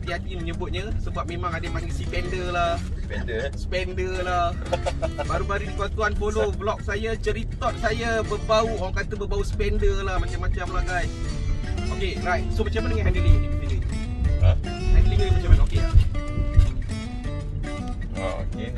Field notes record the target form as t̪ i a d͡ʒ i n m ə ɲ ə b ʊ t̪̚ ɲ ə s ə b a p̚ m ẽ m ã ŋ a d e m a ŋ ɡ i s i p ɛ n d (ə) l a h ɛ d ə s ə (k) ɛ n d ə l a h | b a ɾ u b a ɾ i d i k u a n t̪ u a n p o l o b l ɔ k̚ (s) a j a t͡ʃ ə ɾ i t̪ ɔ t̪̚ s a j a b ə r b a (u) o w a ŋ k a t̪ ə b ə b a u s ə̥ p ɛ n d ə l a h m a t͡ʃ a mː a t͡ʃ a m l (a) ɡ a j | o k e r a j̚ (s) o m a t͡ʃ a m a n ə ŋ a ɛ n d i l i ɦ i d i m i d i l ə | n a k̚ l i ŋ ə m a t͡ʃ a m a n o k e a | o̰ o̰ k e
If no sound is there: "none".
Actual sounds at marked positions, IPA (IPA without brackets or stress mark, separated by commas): ə, p, s, u, a, s